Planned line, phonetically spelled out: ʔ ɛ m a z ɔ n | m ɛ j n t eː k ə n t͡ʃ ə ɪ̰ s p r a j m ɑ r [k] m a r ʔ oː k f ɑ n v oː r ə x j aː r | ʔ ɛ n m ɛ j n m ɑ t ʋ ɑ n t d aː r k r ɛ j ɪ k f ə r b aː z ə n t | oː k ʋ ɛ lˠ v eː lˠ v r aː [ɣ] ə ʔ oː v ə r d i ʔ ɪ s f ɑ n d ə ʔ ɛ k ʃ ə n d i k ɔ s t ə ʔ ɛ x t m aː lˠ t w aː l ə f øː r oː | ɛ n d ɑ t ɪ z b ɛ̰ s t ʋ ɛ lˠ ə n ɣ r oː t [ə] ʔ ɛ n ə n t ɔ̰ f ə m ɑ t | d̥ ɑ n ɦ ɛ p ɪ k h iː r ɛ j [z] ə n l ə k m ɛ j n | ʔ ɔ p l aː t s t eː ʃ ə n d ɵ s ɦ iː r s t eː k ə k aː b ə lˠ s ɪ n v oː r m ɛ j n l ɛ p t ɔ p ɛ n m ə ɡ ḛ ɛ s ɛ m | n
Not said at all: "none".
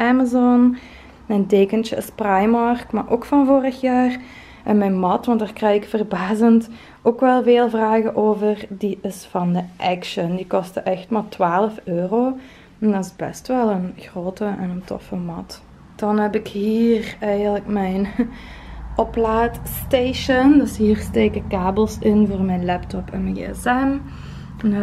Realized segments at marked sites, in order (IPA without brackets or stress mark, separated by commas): k, ɣ, ə, ɣ